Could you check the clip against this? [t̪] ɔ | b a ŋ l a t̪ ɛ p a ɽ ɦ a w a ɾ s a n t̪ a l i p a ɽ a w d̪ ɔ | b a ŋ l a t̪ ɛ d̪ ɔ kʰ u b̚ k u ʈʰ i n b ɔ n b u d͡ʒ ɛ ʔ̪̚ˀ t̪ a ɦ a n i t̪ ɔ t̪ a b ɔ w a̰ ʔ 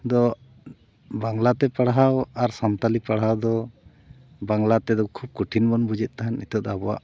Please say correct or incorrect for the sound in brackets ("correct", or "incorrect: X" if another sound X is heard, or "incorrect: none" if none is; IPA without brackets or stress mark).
incorrect: d̪